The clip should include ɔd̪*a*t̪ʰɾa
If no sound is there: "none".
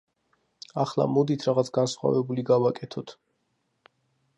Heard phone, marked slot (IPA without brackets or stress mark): i